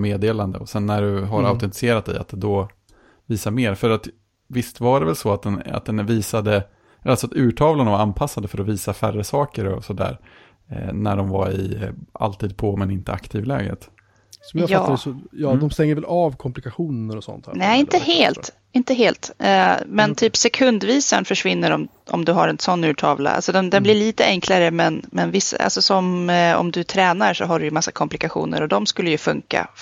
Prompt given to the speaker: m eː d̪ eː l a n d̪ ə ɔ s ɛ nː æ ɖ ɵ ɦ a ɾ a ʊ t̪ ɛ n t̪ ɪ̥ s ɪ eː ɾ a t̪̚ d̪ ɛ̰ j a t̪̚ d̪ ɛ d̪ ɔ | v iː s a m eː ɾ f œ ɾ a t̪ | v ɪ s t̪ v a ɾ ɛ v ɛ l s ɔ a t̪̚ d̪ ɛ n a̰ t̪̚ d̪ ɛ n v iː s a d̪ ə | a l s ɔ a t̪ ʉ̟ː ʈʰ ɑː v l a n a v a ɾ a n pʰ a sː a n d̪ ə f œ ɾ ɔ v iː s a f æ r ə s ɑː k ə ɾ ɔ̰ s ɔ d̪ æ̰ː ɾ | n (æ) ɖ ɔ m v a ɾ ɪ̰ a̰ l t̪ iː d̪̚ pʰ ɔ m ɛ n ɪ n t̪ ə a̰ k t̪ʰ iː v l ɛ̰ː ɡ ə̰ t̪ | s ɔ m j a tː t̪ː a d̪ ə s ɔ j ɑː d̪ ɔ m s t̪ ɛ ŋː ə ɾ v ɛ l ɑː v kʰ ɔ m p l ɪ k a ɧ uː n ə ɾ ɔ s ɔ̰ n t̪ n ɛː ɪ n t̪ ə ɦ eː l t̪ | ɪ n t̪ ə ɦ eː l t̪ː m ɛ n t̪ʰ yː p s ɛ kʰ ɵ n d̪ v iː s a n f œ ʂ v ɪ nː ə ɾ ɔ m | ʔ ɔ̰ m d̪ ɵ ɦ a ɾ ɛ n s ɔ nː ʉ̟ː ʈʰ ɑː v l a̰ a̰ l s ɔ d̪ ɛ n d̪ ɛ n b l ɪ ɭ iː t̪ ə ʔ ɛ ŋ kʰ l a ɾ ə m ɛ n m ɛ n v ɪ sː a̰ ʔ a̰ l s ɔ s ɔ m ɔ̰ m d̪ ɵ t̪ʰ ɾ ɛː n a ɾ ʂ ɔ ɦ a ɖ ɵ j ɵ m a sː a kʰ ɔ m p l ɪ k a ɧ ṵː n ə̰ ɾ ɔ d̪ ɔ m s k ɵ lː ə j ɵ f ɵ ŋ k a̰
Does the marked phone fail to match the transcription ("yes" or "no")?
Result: no